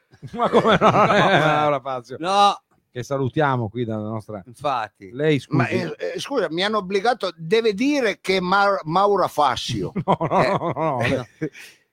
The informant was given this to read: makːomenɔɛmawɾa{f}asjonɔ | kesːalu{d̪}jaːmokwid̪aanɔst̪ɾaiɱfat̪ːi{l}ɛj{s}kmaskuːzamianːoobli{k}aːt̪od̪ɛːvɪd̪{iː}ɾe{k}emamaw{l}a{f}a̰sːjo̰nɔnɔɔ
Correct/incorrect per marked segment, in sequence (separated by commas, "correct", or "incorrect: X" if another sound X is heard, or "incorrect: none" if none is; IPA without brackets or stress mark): correct, incorrect: t̪, correct, correct, incorrect: ɡ, correct, correct, incorrect: ɾ, correct